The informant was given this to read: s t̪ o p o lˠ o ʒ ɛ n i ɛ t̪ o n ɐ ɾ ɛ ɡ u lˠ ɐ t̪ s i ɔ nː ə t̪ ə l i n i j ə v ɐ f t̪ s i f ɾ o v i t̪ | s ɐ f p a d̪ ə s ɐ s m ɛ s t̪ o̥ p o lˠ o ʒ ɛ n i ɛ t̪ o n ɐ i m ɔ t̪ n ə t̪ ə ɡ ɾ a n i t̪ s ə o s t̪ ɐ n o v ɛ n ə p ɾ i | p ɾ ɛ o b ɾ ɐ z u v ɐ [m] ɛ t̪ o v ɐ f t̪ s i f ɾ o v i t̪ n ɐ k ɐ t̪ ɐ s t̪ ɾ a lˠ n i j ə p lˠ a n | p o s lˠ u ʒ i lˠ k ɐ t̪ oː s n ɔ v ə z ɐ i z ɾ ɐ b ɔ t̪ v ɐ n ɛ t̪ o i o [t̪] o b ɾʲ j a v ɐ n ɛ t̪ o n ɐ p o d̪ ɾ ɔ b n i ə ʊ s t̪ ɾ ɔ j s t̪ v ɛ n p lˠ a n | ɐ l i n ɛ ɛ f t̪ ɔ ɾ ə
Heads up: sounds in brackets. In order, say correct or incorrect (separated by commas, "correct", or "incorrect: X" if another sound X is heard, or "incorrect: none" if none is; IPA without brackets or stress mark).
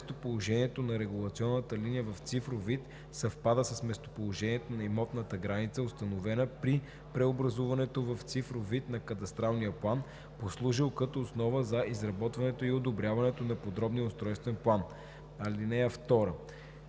incorrect: n, incorrect: d̪